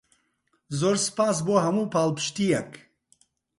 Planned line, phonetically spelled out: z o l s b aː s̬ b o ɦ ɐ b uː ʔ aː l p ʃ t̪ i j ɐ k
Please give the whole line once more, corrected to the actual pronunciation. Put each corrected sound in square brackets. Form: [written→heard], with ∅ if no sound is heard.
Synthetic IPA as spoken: z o [l→ɾ] s [b→p] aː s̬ b o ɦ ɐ [b→m] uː [ʔ→p] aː l p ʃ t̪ i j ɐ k